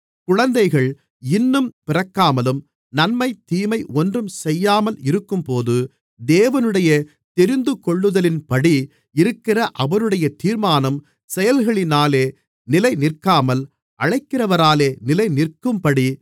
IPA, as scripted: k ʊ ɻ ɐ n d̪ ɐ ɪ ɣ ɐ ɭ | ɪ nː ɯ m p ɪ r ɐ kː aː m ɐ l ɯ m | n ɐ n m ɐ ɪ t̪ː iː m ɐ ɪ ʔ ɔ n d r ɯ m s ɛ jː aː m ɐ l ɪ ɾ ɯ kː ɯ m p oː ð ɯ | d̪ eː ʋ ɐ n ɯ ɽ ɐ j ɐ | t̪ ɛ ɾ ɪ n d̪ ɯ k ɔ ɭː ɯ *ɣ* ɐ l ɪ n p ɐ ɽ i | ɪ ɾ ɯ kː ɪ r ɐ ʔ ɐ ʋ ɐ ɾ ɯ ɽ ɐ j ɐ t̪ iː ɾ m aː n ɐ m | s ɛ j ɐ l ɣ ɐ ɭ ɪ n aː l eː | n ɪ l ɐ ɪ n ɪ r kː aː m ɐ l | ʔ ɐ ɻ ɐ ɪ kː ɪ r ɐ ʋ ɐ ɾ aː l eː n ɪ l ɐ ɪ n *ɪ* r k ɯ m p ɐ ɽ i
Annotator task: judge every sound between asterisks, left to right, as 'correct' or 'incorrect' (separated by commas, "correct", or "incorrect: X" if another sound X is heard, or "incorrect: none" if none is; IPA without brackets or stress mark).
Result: incorrect: ð, correct